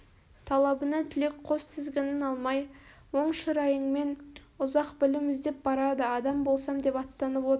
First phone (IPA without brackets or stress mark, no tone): t̪ʰ